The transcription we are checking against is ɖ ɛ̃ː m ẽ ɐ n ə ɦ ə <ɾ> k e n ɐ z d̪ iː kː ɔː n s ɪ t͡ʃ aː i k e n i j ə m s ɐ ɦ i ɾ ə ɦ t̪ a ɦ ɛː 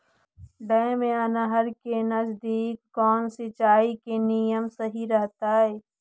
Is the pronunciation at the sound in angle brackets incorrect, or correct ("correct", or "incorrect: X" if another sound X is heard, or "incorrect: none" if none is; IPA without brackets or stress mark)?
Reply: correct